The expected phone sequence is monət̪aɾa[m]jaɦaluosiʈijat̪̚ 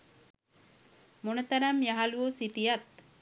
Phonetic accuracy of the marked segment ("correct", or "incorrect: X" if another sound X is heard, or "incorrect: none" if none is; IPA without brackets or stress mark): correct